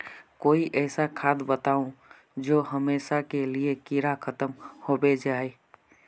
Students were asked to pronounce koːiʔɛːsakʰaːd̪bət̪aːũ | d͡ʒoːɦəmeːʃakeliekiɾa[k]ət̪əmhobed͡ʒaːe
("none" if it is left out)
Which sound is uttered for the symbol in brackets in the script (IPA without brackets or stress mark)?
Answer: kʰ